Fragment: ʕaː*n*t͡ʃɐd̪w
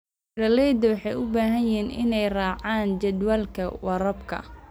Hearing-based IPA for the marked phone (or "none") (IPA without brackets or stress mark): n